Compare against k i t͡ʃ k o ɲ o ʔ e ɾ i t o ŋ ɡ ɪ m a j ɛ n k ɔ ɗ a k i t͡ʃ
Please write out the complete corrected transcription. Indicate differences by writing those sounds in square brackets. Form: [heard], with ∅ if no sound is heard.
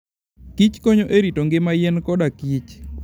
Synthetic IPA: k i t͡ʃ k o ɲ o ʔ e ɾ i t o ŋ ɡ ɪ m a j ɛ n k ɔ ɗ a k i t͡ʃ